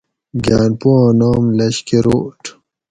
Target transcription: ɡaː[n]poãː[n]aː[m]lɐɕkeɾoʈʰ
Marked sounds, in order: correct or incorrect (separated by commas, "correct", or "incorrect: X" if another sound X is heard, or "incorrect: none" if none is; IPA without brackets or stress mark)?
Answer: correct, correct, correct